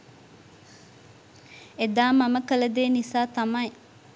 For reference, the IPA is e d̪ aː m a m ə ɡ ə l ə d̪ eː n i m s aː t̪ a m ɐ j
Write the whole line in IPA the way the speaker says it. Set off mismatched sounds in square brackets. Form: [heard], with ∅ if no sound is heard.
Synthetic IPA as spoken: e d̪ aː m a m ə [k] ə l ə d̪ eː n i [∅] s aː t̪ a m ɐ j